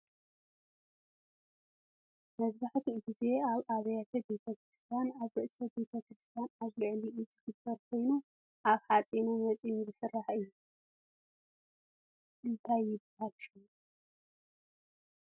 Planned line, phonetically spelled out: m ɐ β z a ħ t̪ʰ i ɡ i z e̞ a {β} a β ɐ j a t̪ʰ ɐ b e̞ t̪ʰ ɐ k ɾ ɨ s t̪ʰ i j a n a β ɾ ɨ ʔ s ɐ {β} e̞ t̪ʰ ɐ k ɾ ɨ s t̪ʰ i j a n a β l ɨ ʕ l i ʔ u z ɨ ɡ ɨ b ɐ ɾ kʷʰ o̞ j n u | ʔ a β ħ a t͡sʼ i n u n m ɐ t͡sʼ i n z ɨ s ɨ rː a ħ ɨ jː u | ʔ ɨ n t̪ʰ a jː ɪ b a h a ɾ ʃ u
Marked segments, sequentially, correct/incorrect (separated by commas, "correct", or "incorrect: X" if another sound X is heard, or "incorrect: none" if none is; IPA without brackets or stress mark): correct, incorrect: b